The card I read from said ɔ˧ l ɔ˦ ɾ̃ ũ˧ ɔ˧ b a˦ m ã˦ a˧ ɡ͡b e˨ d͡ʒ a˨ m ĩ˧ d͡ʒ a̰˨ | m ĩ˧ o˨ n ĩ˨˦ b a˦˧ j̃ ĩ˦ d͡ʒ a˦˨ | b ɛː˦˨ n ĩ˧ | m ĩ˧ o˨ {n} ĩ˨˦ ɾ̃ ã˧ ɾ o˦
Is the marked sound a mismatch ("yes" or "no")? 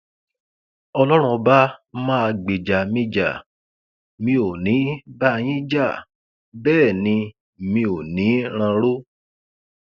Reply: no